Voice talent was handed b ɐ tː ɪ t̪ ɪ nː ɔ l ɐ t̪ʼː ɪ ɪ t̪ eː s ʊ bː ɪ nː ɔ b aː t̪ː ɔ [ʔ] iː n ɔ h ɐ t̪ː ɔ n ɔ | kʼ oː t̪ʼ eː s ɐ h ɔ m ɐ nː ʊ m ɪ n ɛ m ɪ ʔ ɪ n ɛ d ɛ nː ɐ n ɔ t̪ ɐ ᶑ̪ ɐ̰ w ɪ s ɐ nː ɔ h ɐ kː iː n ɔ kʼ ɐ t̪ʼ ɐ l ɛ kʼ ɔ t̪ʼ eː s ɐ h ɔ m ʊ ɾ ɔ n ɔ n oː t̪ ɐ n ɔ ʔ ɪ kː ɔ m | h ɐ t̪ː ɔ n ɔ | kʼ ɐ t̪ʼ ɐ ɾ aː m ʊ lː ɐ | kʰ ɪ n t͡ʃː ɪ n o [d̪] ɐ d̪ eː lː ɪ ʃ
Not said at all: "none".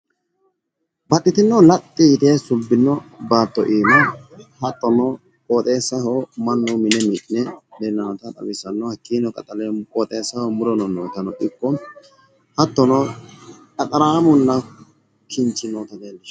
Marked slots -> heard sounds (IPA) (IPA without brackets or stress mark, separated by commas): ʔ, t̪